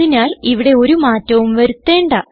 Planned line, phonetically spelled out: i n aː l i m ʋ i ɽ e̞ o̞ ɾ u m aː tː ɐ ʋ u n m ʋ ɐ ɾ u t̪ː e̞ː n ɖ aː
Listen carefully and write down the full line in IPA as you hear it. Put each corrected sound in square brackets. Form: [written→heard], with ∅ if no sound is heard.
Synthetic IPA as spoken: i n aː l i [m→∅] ʋ i ɽ e̞ o̞ ɾ u m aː tː ɐ ʋ u [n→∅] m ʋ ɐ ɾ u t̪ː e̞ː [n→ɳ] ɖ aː